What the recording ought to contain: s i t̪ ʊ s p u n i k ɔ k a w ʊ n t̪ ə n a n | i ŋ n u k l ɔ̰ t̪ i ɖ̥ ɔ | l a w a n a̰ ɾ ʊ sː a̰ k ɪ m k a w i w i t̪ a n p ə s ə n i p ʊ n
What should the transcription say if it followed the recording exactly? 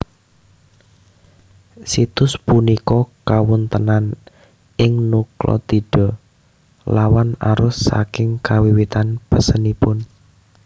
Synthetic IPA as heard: s i t̪ ʊ s p u n i k ɔ k a w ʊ n t̪ ə n a n | ɪ ŋ n u k l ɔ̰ t̪ i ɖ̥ ɔ | l a w a n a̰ ɾ ʊ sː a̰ k ɪ ŋ k a w i w i t̪ a n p ə s ə n i p ʊ n